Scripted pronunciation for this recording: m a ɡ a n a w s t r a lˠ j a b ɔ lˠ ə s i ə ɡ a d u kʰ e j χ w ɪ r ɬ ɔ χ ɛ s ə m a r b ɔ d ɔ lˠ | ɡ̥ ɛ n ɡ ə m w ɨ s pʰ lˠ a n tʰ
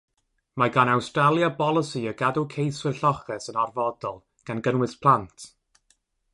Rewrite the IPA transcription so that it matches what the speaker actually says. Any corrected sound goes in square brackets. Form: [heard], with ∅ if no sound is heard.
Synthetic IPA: m a ɡ a n a w s t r a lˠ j a b ɔ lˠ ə s i ə ɡ a d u kʰ e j [s] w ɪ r ɬ ɔ χ ɛ s ə [n] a r [v] ɔ d ɔ lˠ | ɡ̥ [a] n ɡ ə [n] w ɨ s pʰ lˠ a n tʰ